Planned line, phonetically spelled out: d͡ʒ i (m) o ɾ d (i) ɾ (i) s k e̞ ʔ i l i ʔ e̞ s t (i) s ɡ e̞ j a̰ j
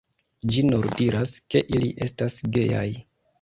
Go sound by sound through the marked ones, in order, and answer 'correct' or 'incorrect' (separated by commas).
incorrect, correct, incorrect, incorrect